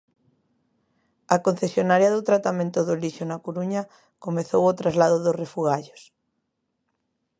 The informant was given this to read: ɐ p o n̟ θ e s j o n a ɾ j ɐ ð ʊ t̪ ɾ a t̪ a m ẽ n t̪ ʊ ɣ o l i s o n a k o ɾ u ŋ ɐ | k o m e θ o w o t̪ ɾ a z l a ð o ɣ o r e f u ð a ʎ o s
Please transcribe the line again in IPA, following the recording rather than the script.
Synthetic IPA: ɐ k o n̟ θ e s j o n a ɾ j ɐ ð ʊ t̪ ɾ a t̪ a m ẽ n t̪ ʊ ð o l i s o n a k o ɾ u ɲ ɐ | k o m e θ o w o t̪ ɾ a z l a ð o ð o r e f u ɣ a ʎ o s